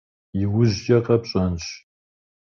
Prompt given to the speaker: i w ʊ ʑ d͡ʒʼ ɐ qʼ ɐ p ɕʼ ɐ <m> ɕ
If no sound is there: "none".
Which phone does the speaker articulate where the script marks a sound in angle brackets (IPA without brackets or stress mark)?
n